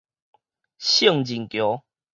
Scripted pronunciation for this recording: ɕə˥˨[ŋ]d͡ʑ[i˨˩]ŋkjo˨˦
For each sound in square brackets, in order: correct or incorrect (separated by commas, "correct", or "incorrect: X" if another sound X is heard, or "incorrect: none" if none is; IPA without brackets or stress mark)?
correct, correct